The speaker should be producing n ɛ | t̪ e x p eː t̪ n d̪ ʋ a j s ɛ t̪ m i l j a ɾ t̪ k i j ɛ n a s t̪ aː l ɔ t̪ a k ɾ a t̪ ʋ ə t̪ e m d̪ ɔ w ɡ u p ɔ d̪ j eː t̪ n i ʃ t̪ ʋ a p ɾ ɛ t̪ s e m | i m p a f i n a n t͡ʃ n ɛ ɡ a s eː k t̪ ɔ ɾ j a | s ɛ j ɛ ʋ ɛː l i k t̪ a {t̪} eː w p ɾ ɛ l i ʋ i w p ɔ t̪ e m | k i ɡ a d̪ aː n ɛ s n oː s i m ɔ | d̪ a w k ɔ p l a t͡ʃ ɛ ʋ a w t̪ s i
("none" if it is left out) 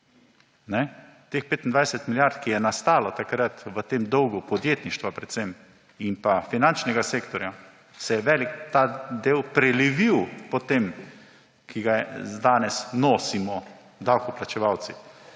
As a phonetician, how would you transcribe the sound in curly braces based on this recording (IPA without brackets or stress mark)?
d̪